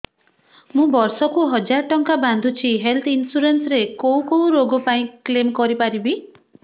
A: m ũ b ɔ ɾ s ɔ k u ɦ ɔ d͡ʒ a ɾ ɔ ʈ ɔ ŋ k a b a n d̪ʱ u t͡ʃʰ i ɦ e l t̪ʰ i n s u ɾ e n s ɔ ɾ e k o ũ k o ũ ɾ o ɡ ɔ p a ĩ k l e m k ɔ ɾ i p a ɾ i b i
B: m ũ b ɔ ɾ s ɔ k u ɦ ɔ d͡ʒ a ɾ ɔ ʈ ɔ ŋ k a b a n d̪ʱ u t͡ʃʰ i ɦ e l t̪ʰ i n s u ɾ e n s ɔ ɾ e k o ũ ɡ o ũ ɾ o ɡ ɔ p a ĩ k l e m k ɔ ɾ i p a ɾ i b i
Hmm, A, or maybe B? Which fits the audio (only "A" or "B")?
A